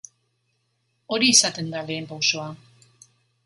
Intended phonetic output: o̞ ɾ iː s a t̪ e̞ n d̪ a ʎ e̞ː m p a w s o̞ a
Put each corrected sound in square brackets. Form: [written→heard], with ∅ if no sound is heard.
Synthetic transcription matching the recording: o̞ ɾ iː s a t̪ e̞ n d̪ a [ʎ→l] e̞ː m p a w s o̞ a

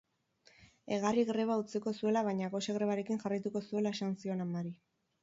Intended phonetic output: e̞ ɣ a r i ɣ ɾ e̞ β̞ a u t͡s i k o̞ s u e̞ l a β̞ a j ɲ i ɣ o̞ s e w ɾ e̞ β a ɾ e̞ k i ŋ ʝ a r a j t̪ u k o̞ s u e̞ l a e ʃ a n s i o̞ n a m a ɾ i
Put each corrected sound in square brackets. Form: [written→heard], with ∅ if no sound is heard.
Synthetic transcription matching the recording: e̞ ɣ a r i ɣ ɾ e̞ β̞ a u t͡s i k o̞ s u e̞ l a β̞ a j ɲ [i→a] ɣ o̞ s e [w→ɣ] ɾ e̞ β a ɾ e̞ k i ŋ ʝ a r a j t̪ u k o̞ s u e̞ l a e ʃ a n s i o̞ n a m a ɾ i

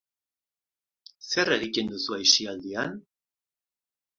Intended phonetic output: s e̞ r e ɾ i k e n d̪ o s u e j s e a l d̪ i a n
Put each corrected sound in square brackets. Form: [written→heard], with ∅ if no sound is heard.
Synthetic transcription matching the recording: s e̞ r e ɾ i k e n d̪ [o→u] s u [e→a] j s [e→i] a l d̪ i a n

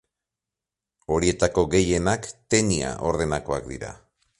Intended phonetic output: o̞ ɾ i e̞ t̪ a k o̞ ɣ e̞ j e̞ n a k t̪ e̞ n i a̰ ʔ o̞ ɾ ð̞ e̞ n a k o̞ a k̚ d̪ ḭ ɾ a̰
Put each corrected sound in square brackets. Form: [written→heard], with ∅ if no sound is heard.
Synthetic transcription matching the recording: o̞ ɾ i e̞ t̪ a k o̞ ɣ e̞ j e̞ n a k t̪ e̞ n i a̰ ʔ o̞ ɾ ð̞ e̞ n a k o̞ a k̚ d̪ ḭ ɾ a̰

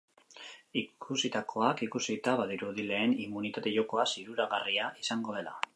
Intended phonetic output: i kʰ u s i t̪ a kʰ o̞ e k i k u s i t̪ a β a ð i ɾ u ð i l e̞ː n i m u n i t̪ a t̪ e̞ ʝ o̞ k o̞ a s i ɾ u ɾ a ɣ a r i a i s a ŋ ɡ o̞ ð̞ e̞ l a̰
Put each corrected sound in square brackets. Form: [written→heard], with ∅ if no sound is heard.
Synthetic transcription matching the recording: i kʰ u s i t̪ a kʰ o̞ [e→a] k i k u s i t̪ a β a ð i ɾ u ð i l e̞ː n i m u n i t̪ a t̪ e̞ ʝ o̞ k o̞ a s i ɾ u ɾ a ɣ a r i a i s a ŋ ɡ o̞ ð̞ e̞ l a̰

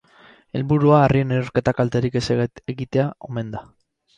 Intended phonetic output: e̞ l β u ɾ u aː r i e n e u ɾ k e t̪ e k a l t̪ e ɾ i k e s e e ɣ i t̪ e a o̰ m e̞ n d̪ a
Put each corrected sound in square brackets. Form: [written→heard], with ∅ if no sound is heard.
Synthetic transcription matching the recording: e̞ l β u ɾ u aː r i e n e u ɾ k e t̪ [e→a] k a l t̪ e ɾ i k e s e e ɣ i t̪ e a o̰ m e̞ n d̪ a

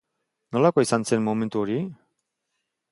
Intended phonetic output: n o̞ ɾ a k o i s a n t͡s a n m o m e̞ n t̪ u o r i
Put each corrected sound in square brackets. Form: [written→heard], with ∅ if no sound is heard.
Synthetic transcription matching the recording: n o̞ [ɾ→l] a k o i s a n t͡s [a→e] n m o m e̞ n t̪ u o [r→ɾ] i

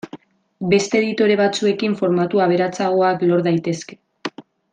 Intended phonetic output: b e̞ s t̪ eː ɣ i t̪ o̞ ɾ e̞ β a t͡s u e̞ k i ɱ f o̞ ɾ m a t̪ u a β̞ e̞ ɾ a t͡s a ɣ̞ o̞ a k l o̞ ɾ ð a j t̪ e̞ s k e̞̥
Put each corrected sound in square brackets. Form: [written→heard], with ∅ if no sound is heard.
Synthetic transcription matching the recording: b e̞ s t̪ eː [ɣ→ð] i t̪ o̞ ɾ e̞ β a t͡s u e̞ k i ɱ f o̞ ɾ m a t̪ u a β̞ e̞ ɾ a t͡s a ɣ̞ o̞ a k l o̞ ɾ ð a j t̪ e̞ s k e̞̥

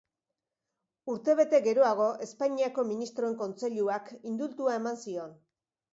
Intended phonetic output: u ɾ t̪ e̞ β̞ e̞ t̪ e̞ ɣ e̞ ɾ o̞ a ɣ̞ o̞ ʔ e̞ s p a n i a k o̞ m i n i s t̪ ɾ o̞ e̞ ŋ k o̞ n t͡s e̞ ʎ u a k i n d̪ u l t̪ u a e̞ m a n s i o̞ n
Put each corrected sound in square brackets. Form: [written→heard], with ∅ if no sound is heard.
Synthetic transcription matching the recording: u ɾ t̪ e̞ β̞ e̞ t̪ e̞ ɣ e̞ ɾ o̞ a ɣ̞ o̞ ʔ e̞ s p a [n→ɲ] i a k o̞ m i n i s t̪ ɾ o̞ e̞ ŋ k o̞ n t͡s e̞ ʎ u a k i n d̪ u l t̪ u a e̞ m a n s i o̞ n

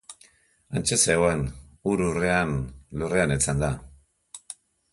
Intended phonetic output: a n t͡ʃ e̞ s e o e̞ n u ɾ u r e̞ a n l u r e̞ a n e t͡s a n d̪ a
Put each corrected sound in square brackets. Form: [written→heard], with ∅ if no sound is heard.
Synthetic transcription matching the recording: a n t͡ʃ e̞ s e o e̞ n u ɾ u r e̞ a n l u r e̞ a n e t͡s a n d̪ a

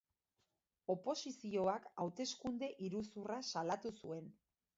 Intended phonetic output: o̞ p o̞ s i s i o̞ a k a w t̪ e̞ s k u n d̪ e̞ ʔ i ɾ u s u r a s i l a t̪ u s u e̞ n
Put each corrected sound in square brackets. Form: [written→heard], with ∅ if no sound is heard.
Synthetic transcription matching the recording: o̞ p o̞ s i s i o̞ a k a w t̪ e̞ s k u n d̪ e̞ ʔ i ɾ u s u r a s [i→a] l a t̪ u s u e̞ n

